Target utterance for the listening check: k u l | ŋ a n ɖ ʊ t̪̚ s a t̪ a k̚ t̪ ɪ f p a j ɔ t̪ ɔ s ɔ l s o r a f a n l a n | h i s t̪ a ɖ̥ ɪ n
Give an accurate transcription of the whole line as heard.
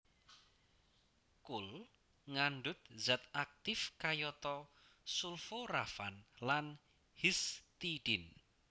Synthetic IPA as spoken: k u l | ŋ a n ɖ ʊ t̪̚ z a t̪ a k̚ t̪ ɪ f k a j ɔ t̪ ɔ s u l f o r a f a n l a n | h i s t̪ i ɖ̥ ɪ n